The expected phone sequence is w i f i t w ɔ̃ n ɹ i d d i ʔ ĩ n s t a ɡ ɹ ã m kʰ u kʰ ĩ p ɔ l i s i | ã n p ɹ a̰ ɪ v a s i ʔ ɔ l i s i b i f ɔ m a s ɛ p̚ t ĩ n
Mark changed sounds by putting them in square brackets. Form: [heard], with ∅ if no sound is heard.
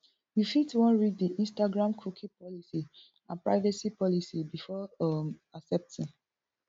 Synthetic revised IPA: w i f i t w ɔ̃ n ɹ i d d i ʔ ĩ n s t a ɡ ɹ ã m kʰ u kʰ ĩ p ɔ l i s i | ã n p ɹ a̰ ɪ v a s i [p] ɔ l i s i b i f ɔ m a s ɛ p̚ t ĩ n